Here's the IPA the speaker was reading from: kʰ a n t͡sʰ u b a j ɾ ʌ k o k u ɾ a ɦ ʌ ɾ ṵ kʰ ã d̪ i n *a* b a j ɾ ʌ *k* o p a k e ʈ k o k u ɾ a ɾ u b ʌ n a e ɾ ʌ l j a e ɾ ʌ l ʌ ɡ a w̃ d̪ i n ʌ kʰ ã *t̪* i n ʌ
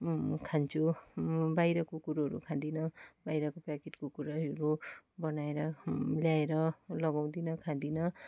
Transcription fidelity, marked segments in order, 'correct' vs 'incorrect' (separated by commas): incorrect, correct, incorrect